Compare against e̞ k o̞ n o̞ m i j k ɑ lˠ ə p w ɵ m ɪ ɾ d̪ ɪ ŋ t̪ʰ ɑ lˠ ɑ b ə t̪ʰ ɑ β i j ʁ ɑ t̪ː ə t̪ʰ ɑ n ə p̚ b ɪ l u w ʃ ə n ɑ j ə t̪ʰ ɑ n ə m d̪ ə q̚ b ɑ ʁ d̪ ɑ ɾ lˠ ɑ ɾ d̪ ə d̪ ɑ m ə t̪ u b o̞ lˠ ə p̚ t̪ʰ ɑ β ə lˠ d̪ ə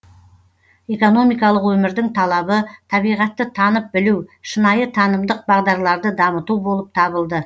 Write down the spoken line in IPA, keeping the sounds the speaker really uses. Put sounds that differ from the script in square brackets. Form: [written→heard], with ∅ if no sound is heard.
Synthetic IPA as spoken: e̞ k o̞ n o̞ m i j k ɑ lˠ ə [p→q] w ɵ m ɪ ɾ d̪ ɪ ŋ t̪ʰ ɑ lˠ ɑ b ə t̪ʰ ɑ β i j ʁ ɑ t̪ː ə t̪ʰ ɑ n ə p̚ b ɪ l u w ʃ ə n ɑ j ə t̪ʰ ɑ n ə m d̪ ə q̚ b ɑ ʁ d̪ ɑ ɾ lˠ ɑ ɾ d̪ ə d̪ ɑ m ə t̪ u b o̞ lˠ ə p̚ t̪ʰ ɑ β ə lˠ d̪ ə

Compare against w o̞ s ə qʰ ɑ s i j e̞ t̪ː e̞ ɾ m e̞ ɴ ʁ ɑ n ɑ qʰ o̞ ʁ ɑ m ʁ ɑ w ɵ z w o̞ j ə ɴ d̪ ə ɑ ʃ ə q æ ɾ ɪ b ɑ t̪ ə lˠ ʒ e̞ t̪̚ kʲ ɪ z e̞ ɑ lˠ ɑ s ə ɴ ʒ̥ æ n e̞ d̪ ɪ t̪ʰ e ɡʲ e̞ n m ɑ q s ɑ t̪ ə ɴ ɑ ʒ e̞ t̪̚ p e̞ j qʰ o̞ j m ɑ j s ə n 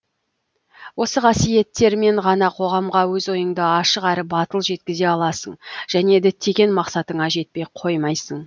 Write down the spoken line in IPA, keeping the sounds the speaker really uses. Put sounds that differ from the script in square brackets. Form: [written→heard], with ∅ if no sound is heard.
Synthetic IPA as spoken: w o̞ s ə qʰ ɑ s i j e̞ t̪ː e̞ ɾ m e̞ ɴ ʁ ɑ n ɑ qʰ o̞ ʁ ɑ m ʁ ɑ w ɵ z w o̞ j ə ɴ d̪ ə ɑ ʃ ə q æ ɾ ɪ b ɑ t̪ ə lˠ ʒ e̞ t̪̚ kʲ ɪ z e̞ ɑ lˠ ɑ s ə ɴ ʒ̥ æ n e̞ d̪ ɪ t̪ʰ e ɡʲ e̞ n m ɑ q s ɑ t̪ ə ɴ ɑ ʒ e̞ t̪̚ p e̞ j qʰ o̞ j m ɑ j s ə [n→ɴ]

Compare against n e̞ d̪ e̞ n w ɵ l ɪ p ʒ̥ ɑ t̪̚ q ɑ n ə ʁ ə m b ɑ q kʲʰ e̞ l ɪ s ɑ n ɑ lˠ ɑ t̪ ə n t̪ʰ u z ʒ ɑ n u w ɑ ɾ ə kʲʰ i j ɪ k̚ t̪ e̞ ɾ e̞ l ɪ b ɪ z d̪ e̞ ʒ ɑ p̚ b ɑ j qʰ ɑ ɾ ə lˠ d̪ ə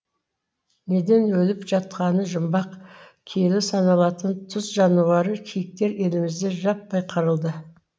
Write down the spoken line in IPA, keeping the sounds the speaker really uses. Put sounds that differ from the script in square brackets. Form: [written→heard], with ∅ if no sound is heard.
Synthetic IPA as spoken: n e̞ d̪ e̞ n w ɵ l ɪ p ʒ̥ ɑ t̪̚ q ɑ n ə [ʁ→ʒ] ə m b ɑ q kʲʰ e̞ l ɪ s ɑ n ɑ lˠ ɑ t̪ ə n t̪ʰ [u→ʊ] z ʒ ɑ n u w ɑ ɾ ə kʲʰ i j ɪ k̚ t̪ e̞ ɾ e̞ l ɪ [b→m] ɪ z d̪ e̞ ʒ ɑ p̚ b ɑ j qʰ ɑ ɾ ə lˠ d̪ ə

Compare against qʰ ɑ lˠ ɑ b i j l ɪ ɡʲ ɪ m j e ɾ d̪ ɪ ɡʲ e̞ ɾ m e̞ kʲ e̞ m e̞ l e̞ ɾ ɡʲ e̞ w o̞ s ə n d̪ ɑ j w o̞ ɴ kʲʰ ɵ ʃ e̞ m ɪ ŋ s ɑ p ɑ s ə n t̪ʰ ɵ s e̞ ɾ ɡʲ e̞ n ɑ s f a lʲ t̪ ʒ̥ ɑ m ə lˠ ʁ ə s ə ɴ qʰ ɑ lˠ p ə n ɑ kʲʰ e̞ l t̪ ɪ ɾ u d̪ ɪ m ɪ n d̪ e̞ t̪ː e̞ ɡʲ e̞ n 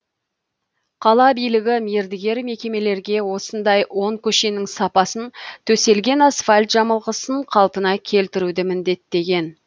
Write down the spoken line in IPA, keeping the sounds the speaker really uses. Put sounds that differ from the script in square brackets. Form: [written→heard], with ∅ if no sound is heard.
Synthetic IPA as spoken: qʰ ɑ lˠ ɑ b i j l ɪ ɡʲ ɪ m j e ɾ d̪ ɪ ɡʲ e̞ ɾ m e̞ kʲ e̞ m e̞ l e̞ ɾ ɡʲ e̞ w o̞ s ə n d̪ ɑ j w o̞ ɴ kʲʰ ɵ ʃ e̞ [m→n] ɪ ŋ s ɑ p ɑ s ə n t̪ʰ ɵ s e̞ [ɾ→l] ɡʲ e̞ n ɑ s f a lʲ t̪ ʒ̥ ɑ m ə lˠ ʁ ə s ə ɴ qʰ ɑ lˠ p ə n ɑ kʲʰ e̞ l t̪ ɪ ɾ u d̪ ɪ m ɪ n d̪ e̞ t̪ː e̞ ɡʲ e̞ n

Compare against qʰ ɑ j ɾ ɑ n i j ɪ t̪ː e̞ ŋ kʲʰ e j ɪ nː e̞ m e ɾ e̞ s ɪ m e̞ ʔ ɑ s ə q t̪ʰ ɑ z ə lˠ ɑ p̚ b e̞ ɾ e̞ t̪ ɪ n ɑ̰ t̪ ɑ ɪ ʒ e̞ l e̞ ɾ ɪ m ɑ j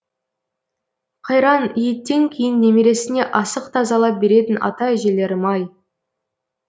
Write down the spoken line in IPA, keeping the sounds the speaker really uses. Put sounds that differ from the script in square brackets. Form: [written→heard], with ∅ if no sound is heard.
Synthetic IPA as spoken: qʰ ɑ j ɾ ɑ n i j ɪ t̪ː e̞ ŋ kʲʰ e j ɪ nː e̞ m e ɾ e̞ s ɪ [m→n] e̞ ʔ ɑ s ə q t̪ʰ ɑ z [ə→ɑ] lˠ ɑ p̚ b e̞ ɾ e̞ t̪ ɪ n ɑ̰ t̪ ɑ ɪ ʒ e̞ l e̞ ɾ ɪ m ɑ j

